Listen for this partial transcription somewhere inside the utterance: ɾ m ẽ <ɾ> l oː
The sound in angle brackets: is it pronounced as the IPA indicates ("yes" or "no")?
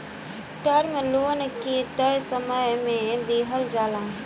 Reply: no